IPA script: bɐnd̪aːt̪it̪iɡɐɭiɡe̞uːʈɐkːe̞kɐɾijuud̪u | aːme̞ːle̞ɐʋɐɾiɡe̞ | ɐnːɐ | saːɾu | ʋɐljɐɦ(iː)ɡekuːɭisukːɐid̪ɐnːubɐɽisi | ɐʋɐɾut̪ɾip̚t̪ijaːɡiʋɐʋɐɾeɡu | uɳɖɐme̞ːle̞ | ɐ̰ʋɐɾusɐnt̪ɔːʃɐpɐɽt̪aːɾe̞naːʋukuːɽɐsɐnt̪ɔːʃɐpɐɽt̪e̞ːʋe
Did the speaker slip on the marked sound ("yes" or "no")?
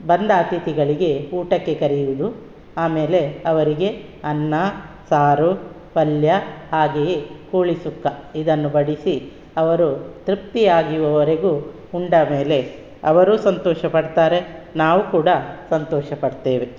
yes